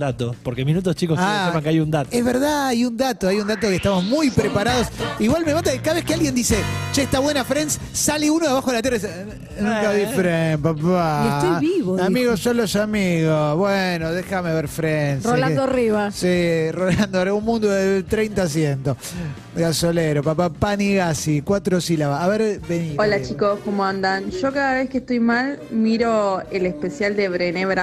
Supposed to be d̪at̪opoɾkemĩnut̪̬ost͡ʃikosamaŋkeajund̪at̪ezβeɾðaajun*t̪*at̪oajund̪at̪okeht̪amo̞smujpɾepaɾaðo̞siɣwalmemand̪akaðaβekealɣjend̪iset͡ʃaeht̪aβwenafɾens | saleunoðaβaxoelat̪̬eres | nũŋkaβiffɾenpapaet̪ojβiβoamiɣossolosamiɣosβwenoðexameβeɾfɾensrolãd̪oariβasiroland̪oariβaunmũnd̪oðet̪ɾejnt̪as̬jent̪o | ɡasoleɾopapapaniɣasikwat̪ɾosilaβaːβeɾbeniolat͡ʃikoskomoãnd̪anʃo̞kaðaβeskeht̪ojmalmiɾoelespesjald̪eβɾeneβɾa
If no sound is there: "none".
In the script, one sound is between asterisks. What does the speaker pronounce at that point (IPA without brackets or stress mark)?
d̪